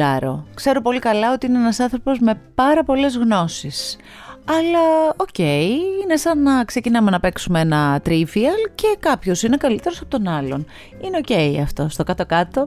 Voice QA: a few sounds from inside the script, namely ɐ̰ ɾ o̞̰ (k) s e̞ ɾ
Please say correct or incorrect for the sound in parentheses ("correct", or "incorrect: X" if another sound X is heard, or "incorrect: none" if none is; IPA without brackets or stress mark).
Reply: correct